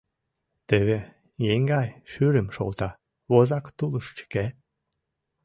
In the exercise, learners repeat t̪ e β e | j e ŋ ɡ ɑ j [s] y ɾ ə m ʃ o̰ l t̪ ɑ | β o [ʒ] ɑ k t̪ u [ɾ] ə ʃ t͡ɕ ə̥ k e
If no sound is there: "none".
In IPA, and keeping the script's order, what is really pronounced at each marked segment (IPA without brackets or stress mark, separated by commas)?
ʃ, z, l